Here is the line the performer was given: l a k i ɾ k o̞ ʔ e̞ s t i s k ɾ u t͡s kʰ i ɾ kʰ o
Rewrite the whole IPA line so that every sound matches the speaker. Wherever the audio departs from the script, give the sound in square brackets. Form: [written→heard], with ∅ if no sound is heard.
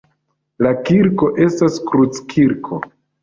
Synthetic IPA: l a k i ɾ k o̞ ʔ e̞ s t [i→a] s k ɾ u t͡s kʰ i ɾ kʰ o